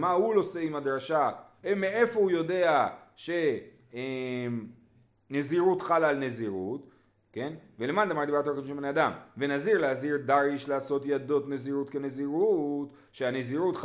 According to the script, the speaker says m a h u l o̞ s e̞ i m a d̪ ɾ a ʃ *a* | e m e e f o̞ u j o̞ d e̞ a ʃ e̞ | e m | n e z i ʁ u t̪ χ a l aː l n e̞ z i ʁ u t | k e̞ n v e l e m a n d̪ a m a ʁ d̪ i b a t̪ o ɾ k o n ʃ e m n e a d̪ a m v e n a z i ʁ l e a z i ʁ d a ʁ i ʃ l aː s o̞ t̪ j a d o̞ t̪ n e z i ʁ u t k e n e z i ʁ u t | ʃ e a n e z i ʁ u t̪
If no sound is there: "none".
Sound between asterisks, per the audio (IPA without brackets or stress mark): a